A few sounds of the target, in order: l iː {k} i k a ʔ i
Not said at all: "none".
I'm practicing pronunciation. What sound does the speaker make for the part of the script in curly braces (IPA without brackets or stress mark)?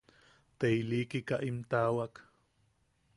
k